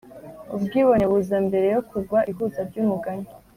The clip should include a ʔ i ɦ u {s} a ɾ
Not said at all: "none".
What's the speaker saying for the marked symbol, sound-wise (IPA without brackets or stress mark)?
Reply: z